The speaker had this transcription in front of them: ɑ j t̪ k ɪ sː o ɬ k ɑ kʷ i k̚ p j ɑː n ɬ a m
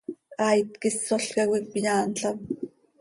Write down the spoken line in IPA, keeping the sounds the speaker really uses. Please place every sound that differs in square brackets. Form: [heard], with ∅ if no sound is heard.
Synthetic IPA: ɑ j t̪ k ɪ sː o ɬ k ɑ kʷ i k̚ p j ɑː n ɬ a m